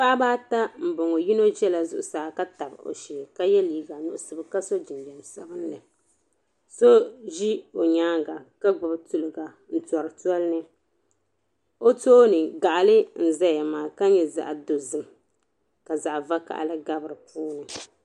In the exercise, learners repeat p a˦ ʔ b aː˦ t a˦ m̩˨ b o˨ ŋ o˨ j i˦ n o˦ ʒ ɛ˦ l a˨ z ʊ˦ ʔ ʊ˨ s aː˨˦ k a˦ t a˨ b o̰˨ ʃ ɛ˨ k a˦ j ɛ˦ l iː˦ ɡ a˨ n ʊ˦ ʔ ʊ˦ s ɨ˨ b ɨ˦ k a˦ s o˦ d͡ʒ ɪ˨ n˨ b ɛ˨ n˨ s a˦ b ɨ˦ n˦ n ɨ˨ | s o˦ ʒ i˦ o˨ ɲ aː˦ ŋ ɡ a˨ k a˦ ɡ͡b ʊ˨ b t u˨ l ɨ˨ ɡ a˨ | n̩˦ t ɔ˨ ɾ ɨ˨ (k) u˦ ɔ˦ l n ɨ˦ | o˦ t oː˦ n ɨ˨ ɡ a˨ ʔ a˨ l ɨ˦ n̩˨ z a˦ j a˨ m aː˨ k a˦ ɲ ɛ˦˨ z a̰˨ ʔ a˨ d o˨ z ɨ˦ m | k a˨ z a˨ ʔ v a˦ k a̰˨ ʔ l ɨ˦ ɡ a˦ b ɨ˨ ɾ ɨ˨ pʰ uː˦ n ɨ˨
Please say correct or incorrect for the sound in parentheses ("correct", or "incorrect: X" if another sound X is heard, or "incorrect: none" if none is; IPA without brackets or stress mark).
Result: incorrect: t